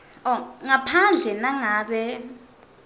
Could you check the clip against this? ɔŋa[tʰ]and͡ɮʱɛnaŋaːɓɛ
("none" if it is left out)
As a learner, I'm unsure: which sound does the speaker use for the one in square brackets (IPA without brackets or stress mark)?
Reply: pʰ